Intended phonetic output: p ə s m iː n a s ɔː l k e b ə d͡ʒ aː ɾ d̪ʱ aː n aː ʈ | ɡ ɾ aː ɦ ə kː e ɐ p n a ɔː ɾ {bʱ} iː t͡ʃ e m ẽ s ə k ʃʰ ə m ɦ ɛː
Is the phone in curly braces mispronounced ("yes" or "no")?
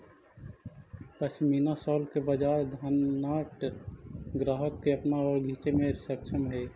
yes